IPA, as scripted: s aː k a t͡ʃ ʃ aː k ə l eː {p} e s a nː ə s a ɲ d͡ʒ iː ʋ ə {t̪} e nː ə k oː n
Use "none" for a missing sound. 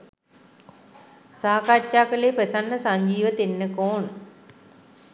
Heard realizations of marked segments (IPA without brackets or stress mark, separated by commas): p, t̪